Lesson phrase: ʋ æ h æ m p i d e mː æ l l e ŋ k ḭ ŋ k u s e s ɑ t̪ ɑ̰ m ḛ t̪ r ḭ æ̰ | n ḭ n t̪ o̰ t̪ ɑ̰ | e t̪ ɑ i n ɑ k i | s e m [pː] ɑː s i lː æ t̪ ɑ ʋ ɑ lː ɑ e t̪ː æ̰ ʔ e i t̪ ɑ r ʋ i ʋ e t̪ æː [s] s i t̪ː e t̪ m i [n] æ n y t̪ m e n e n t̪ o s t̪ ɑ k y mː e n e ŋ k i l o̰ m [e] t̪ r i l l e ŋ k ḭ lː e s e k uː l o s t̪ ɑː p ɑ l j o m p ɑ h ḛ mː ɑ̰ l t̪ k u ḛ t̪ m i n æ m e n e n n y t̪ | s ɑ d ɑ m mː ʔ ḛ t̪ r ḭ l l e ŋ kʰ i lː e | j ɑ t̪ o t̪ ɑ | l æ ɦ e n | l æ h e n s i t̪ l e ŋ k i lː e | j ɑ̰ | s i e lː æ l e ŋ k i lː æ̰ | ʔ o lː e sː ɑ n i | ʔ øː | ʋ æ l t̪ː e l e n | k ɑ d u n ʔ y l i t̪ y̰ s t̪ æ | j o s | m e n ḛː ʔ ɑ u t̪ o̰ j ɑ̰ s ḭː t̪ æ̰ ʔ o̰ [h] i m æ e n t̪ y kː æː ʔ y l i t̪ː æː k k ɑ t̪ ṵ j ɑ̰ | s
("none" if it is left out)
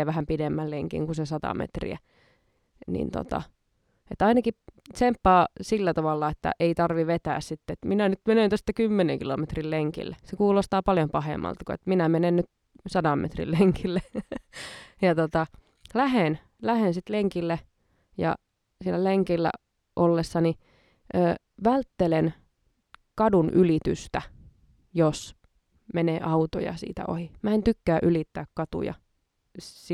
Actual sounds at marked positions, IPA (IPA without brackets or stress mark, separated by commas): pː, s, n, e, h